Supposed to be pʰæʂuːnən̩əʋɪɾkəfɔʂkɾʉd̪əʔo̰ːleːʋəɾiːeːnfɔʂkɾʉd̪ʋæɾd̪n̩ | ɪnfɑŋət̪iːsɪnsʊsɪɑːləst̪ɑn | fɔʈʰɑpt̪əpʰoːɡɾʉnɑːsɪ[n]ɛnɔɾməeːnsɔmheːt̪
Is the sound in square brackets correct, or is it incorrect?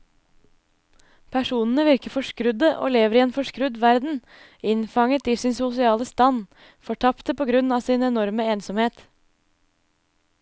correct